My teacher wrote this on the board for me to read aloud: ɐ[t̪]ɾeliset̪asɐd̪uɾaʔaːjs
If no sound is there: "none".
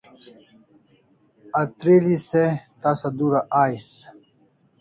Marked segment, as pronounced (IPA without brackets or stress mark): t̪